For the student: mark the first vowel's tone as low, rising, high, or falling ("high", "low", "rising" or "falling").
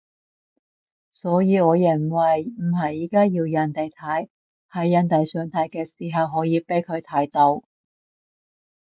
rising